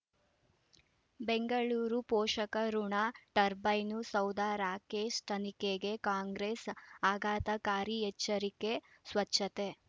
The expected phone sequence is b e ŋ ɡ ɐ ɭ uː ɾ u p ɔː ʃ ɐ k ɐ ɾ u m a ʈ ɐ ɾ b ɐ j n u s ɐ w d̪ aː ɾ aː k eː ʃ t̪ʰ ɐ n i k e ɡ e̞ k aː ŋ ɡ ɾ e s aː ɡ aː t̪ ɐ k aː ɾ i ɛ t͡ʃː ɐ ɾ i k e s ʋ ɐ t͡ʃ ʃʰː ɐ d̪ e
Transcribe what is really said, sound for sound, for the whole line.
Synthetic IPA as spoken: b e ŋ ɡ ɐ ɭ uː ɾ u p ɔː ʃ ɐ k ɐ ɾ u ɳ a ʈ ɐ ɾ b ɐ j n u s ɐ w d̪ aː ɾ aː k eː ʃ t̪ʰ ɐ n i k e ɡ e̞ k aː ŋ ɡ ɾ e s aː ɡ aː t̪ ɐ k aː ɾ i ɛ t͡ʃː ɐ ɾ i k e s ʋ ɐ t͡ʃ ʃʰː ɐ t̪ e